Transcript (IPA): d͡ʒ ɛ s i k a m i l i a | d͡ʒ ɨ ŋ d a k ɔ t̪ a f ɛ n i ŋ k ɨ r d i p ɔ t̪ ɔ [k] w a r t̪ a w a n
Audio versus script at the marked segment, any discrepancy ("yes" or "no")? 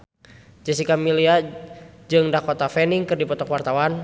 no